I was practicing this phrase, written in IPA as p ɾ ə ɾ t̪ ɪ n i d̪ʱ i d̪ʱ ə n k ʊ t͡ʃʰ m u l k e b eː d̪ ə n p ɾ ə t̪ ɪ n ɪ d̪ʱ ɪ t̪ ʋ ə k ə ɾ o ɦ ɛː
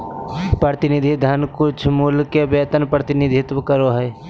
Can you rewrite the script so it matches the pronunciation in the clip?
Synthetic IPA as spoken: p ɾ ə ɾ t̪ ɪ n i d̪ʱ i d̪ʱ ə n k ʊ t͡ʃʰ m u l k e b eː t̪ ə n p ɾ ə t̪ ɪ n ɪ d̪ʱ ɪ t̪ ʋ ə k ə ɾ o ɦ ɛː